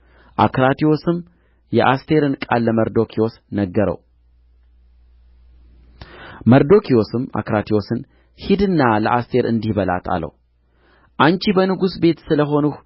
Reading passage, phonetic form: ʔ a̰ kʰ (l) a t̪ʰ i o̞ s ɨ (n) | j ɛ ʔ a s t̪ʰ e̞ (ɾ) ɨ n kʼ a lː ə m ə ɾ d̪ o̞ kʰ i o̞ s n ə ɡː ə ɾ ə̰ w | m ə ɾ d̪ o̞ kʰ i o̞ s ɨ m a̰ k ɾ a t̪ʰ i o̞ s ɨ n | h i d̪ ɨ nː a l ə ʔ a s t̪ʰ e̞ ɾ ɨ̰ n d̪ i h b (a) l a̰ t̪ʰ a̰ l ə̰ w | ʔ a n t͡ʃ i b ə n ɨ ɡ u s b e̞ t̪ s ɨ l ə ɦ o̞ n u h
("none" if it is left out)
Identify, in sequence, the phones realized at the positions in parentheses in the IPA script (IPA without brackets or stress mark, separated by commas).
ɾ, m, ɾ, ə